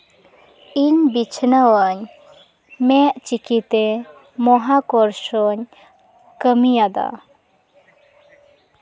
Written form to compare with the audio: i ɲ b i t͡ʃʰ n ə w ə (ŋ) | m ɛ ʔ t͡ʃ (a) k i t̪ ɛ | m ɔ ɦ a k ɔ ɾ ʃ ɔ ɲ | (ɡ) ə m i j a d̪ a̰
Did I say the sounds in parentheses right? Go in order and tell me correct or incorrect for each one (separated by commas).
incorrect, incorrect, incorrect